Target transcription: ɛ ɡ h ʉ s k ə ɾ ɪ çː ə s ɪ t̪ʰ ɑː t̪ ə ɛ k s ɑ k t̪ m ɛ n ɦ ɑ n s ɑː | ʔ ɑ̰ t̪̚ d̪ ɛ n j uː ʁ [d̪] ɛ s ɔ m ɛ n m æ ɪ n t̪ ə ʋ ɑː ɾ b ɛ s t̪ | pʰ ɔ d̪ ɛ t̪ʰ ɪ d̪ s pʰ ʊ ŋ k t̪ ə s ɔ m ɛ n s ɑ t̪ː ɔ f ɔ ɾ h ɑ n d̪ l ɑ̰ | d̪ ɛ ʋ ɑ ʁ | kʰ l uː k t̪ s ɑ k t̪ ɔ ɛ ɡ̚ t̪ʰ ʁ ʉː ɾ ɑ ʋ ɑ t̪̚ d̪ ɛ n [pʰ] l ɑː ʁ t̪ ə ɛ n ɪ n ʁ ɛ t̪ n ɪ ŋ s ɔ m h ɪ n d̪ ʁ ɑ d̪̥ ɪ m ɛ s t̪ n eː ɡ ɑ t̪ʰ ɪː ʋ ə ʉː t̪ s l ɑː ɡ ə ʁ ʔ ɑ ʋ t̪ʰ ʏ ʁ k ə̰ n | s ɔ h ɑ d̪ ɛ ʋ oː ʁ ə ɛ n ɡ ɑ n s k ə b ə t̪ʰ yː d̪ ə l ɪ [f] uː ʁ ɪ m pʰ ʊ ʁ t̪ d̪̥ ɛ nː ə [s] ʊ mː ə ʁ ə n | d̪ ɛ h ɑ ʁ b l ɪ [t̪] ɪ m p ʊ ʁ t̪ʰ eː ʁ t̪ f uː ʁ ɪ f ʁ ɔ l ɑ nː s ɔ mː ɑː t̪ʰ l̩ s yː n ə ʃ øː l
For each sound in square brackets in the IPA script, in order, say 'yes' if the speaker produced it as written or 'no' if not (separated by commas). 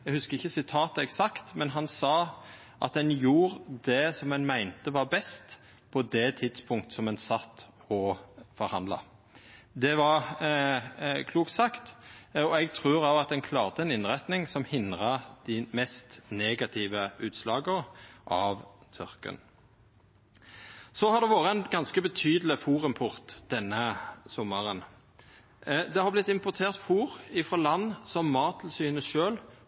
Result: yes, no, yes, yes, yes